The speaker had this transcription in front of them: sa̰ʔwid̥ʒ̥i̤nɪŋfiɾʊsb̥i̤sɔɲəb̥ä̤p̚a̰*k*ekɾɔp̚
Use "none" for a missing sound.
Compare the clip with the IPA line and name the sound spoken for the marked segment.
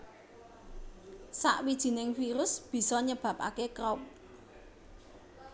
k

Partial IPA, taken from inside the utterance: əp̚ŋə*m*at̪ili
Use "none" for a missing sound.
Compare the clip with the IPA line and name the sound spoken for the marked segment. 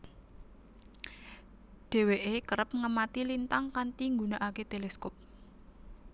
m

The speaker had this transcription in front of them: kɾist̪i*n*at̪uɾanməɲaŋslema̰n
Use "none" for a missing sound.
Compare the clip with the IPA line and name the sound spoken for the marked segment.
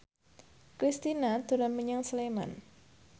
n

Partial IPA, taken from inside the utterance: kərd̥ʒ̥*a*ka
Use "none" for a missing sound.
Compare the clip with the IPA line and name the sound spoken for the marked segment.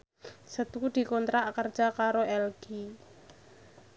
a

